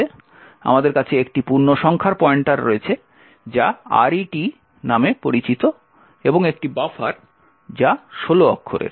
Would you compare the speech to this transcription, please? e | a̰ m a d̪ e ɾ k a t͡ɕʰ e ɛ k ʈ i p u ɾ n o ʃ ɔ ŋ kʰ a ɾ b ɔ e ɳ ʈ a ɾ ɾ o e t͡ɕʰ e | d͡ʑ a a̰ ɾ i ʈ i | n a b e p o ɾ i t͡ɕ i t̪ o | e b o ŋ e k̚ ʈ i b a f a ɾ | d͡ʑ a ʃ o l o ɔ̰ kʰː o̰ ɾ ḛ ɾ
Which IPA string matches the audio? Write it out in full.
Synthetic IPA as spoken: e | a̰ m a d̪ e ɾ k a t͡ɕʰ e e k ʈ i p u ɾ n o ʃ ɔ ŋ kʰ a ɾ p ɔ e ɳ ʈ a ɾ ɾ o e t͡ɕʰ e | d͡ʑ a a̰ ɾ i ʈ i | n a m e p o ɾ i t͡ɕ i t̪ o | e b o ŋ e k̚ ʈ i b a f a ɾ | d͡ʑ a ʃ o l o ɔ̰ kʰː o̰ ɾ ḛ ɾ